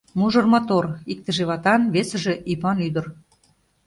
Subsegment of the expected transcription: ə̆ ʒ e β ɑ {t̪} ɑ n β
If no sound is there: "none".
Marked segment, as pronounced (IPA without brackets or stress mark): t̪